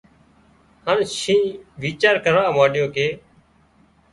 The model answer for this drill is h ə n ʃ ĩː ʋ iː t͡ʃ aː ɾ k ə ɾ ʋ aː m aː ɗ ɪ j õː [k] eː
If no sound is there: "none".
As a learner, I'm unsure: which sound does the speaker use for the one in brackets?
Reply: k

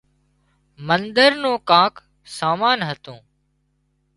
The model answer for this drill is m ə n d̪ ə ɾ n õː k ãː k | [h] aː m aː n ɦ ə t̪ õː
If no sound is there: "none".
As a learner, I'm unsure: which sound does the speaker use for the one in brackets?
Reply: s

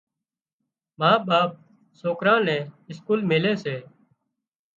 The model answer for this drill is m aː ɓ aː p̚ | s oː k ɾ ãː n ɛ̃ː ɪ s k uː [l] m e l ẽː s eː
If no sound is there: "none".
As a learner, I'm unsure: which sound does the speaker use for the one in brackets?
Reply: l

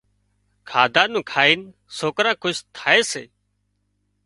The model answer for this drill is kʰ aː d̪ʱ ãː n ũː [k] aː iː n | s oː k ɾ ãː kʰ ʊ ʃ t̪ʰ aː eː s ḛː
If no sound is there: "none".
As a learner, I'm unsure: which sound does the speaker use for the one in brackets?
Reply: kʰ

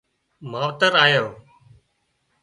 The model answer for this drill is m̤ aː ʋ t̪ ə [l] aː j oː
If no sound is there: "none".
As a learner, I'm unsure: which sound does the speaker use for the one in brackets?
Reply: ɾ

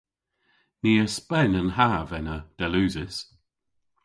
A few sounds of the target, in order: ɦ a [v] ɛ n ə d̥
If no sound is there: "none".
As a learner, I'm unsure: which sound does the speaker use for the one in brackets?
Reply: v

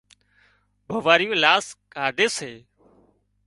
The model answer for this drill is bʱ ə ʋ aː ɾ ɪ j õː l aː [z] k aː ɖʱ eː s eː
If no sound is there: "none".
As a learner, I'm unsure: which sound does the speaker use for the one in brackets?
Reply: s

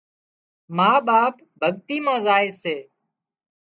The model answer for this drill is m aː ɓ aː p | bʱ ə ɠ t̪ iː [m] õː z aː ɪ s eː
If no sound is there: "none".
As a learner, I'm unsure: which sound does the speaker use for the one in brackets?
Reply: m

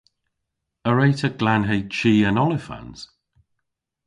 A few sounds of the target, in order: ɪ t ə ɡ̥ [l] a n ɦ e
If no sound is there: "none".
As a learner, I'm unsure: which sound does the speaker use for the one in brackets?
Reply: l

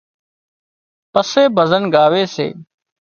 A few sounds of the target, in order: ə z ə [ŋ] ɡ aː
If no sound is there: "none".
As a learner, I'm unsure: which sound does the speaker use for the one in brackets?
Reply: n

